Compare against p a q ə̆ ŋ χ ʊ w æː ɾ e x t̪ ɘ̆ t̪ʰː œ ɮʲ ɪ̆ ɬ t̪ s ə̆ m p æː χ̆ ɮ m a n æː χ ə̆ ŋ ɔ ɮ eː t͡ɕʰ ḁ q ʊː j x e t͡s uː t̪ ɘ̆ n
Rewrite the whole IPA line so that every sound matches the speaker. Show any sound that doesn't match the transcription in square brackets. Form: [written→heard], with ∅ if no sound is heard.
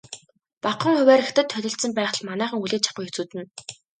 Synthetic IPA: p a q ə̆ ŋ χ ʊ w æː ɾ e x t̪ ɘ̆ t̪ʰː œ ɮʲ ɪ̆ ɬ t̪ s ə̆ m p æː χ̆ ɮ m a n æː χ ə̆ ŋ [ɔ→u] ɮ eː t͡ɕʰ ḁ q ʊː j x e t͡s uː t̪ ɘ̆ n

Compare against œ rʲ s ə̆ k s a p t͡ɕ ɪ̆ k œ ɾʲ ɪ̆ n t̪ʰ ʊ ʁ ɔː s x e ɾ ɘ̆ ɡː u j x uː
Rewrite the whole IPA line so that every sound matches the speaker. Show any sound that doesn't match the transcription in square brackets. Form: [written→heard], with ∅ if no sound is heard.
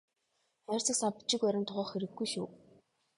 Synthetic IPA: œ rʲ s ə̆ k s a p t͡ɕ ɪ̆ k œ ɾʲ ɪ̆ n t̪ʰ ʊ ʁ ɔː [s→χ] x e ɾ ɘ̆ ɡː u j [x→ʃ] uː

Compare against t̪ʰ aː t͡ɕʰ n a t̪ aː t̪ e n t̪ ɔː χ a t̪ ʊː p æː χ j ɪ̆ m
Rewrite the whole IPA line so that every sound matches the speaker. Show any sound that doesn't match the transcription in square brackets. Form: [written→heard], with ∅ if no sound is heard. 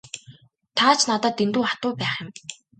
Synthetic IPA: t̪ʰ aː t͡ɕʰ n a t̪ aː t̪ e n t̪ [ɔː→uː] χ a t̪ ʊː p æː χ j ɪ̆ m

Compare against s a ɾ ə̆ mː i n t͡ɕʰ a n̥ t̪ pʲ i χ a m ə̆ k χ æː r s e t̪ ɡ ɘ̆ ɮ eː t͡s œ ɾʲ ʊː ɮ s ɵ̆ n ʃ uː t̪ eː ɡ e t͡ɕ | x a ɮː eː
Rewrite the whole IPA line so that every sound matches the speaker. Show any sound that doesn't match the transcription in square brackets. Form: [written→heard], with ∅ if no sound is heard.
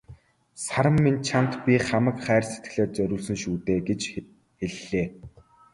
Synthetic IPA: s a ɾ ə̆ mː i n t͡ɕʰ a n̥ t̪ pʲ i χ a m ə̆ k χ æː r s e t̪ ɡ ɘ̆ ɮ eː t͡s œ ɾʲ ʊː ɮ s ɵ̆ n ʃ uː t̪ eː ɡ e t͡ɕ | x [a→e] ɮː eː

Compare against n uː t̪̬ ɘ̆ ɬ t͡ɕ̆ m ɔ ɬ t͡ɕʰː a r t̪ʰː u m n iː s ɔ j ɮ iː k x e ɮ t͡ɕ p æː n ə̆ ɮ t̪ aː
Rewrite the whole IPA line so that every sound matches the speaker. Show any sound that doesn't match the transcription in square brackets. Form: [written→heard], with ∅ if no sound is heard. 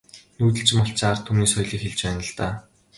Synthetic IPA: n uː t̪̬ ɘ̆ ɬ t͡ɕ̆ m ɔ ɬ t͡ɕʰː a r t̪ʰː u m n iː s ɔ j ɮ iː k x e ɮ t͡ɕ p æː n ə̆ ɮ t̪ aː

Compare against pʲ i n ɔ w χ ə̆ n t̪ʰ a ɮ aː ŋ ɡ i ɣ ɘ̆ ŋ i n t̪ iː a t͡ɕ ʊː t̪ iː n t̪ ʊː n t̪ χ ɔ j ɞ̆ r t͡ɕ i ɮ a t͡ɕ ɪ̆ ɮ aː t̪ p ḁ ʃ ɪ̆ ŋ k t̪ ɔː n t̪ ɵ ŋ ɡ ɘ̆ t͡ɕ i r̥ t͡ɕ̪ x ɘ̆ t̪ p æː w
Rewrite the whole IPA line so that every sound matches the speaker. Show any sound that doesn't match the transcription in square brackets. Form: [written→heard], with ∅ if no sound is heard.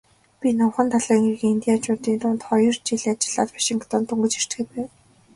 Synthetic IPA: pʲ i n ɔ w χ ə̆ n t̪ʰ a ɮ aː ŋ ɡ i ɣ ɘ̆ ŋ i n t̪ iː a t͡ɕ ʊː t̪ iː n t̪ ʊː n t̪ χ ɔ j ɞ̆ r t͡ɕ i ɮ a t͡ɕ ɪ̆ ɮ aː t̪ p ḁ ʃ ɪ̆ ŋ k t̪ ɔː n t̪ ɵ ŋ ɡ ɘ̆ t͡ɕ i r̥ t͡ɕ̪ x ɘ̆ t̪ p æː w

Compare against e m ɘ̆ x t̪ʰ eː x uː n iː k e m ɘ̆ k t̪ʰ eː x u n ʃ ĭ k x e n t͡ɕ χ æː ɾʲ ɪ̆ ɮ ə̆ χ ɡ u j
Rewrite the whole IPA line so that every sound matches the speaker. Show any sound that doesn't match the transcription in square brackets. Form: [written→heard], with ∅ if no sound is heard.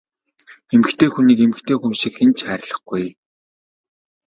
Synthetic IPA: e m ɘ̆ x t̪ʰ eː x [uː→u] n iː k e m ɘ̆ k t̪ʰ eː x u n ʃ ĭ k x e n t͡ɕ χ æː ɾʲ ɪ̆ ɮ ə̆ χ ɡ u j

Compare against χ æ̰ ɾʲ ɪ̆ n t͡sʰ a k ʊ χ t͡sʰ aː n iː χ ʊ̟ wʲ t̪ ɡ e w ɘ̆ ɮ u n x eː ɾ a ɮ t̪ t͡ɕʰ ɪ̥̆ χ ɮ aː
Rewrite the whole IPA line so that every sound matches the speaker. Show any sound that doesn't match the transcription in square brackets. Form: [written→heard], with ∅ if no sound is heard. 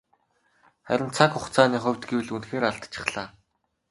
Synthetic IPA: χ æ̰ ɾʲ ɪ̆ n t͡sʰ a k ʊ χ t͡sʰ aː n iː χ ʊ̟ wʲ t̪ ɡ e w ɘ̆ ɮ u n x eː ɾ a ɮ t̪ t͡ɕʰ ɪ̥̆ χ ɮ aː

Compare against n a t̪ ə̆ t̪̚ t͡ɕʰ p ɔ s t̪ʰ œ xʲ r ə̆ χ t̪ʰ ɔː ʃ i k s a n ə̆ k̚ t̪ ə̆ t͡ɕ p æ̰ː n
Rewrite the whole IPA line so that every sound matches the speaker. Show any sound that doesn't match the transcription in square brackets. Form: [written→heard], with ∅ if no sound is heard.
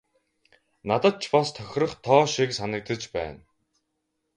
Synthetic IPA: n a t̪ ə̆ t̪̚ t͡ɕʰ p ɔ s t̪ʰ œ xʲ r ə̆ χ t̪ʰ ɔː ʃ i k s a n ə̆ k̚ t̪ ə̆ t͡ɕ p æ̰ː n

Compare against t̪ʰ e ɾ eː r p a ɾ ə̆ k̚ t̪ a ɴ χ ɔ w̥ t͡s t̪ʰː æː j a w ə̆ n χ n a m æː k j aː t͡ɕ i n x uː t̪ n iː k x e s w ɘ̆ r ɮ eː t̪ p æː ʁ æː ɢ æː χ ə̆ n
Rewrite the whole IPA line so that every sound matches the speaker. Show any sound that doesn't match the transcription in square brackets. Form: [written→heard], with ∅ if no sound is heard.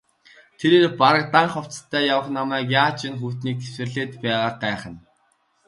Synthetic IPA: t̪ʰ e ɾ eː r p a ɾ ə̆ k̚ t̪ a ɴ χ ɔ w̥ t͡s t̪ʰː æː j a w ə̆ [n→∅] χ n a m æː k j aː t͡ɕ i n x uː t̪ n iː k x e s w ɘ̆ r ɮ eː t̪ p æː ʁ [æː→aː] ɢ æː χ ə̆ n

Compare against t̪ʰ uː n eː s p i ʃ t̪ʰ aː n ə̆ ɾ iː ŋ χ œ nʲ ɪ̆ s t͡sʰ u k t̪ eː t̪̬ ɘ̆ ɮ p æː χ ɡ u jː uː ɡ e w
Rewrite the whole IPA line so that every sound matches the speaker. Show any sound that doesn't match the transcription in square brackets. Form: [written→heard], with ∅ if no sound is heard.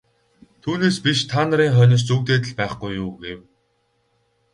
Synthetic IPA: t̪ʰ uː n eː s p i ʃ t̪ʰ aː n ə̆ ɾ iː ŋ χ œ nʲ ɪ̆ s [t͡sʰ→t͡s] u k t̪ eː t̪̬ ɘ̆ ɮ p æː χ ɡ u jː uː ɡ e w

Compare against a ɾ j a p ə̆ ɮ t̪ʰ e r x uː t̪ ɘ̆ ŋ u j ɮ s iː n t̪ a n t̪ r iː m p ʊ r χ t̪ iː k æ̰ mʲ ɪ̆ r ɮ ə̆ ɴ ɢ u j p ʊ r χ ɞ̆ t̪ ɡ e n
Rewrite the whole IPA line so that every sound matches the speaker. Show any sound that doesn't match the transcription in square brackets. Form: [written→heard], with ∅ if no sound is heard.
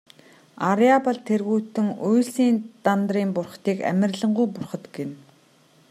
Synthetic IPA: a ɾ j a p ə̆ ɮ t̪ʰ e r [x→ɣ] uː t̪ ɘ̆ ŋ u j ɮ s iː n t̪ a n t̪ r iː m p ʊ r χ t̪ iː k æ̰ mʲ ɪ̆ r ɮ ə̆ ɴ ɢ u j p ʊ r χ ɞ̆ t̪ ɡ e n

